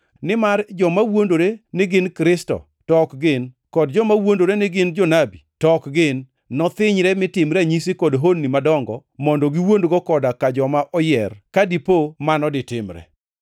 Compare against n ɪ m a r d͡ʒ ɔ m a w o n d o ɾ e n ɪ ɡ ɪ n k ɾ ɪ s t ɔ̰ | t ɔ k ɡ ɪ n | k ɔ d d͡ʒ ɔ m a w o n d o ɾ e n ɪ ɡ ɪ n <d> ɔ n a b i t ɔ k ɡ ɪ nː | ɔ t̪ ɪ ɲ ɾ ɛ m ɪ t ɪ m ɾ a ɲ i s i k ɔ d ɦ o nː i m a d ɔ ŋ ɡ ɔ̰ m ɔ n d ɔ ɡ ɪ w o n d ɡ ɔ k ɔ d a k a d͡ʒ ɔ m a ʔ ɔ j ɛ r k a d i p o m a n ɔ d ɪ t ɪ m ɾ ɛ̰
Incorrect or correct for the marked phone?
incorrect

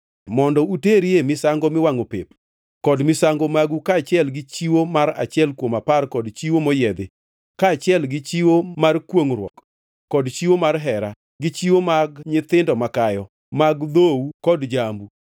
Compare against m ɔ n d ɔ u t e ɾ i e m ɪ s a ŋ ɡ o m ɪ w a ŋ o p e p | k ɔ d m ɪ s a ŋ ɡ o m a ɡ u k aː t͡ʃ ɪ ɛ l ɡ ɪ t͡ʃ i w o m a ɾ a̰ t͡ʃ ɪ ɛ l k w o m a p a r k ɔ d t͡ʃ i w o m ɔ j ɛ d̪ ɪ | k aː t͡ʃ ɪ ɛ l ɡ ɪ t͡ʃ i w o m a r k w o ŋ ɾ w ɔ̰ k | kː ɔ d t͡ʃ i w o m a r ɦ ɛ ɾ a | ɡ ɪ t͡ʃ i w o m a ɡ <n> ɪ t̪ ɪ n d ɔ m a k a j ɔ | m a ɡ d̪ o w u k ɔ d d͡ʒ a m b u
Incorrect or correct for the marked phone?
incorrect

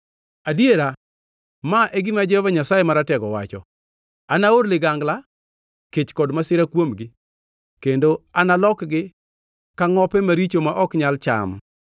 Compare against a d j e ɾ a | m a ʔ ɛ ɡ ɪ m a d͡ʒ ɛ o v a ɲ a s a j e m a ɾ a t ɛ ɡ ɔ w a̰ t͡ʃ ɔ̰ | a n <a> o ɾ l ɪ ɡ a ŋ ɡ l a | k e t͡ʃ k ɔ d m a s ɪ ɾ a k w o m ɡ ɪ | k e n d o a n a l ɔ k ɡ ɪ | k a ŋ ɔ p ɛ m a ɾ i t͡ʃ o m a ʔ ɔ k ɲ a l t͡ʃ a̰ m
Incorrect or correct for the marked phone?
correct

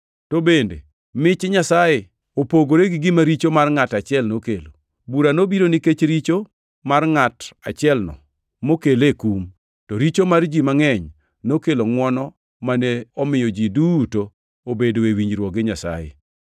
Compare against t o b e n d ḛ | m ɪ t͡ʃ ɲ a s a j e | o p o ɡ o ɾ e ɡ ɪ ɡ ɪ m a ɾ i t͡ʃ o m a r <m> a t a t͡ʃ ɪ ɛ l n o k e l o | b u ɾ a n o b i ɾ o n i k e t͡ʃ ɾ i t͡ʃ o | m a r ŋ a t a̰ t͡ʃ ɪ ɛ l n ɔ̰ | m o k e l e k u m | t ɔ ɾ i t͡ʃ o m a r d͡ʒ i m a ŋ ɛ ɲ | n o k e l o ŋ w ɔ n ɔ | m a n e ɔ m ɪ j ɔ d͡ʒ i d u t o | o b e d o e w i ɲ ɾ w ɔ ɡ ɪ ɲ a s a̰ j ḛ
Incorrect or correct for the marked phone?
incorrect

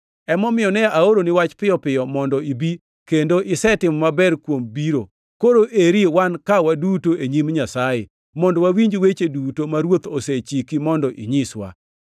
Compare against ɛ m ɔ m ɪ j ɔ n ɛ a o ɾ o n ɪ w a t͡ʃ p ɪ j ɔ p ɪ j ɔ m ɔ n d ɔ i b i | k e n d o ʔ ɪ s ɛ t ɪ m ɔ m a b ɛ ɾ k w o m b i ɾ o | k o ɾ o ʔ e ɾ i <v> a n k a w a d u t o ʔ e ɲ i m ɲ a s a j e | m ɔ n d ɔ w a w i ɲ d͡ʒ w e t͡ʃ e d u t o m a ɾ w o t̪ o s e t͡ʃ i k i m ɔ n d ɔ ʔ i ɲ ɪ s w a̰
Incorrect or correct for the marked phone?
incorrect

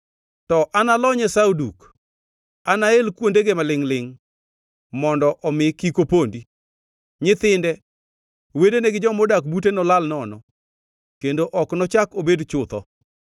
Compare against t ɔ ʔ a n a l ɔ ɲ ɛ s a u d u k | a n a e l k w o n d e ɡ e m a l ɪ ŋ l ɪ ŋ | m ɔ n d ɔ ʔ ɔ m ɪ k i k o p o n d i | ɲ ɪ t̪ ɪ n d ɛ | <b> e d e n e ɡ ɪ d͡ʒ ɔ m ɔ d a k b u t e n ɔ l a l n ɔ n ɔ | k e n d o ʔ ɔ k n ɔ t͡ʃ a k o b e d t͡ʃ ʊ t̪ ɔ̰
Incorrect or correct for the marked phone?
incorrect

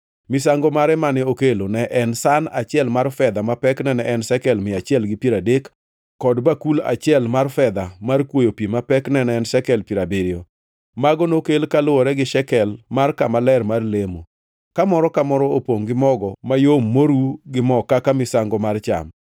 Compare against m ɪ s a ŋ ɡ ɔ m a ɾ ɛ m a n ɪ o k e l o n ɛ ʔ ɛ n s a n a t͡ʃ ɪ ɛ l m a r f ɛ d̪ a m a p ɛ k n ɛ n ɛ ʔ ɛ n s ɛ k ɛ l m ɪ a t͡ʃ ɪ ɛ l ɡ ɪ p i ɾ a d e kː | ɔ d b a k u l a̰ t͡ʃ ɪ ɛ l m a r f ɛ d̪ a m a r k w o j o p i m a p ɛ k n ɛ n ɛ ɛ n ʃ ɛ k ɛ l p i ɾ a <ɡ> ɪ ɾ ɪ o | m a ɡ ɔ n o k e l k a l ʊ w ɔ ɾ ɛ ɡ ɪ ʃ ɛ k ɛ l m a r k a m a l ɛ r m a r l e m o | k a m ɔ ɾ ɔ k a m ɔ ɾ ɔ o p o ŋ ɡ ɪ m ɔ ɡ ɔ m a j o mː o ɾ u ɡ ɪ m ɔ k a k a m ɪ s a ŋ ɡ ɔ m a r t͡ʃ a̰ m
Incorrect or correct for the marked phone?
incorrect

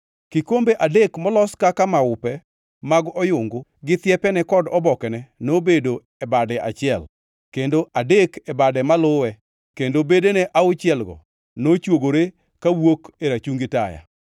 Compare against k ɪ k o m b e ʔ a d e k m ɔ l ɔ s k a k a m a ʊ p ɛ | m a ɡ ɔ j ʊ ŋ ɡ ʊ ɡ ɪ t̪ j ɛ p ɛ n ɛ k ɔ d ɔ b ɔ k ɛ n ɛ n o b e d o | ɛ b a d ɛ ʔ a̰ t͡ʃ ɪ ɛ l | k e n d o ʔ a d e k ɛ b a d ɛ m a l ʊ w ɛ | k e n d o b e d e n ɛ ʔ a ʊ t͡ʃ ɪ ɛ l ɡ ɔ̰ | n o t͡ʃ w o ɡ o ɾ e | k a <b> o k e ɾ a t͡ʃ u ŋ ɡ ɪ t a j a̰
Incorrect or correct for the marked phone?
incorrect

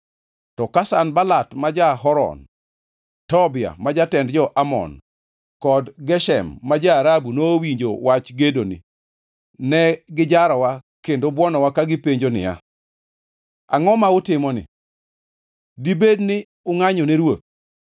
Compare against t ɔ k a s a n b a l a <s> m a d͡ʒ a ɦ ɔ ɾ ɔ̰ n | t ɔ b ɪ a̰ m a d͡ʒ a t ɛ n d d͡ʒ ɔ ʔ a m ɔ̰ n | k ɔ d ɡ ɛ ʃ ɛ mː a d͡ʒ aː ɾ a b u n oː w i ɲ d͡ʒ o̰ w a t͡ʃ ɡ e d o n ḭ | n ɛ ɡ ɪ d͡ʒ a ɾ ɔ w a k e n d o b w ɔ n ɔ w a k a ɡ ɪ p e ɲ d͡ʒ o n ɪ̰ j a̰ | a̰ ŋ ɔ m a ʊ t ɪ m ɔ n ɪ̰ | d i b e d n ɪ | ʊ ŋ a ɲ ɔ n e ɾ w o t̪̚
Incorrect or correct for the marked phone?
incorrect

